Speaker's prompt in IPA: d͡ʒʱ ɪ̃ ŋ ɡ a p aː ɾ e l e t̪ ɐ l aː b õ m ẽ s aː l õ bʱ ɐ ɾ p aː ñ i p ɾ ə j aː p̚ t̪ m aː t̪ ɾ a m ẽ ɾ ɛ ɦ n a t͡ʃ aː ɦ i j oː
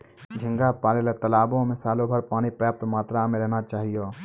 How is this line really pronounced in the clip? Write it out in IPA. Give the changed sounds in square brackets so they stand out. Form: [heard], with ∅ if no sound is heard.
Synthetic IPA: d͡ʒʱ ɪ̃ ŋ ɡ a p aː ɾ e l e t̪ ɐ l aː b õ m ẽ s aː l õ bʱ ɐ ɾ p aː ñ i p ɾ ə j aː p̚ t̪ m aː t̪ ɾ a m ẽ ɾ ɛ ɦ n a t͡ʃ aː ɦ i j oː

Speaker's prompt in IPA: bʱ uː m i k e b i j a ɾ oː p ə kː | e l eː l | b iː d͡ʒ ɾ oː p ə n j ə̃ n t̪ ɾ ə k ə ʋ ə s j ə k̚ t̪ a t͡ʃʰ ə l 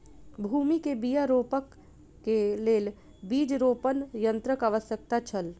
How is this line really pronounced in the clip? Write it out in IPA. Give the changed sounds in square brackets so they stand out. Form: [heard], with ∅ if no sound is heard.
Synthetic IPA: bʱ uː m i k e b i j a ɾ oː p ə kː | e l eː l | b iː d͡ʒ ɾ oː p ə n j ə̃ n t̪ ɾ ə k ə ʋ ə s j ə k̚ t̪ a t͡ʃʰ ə l

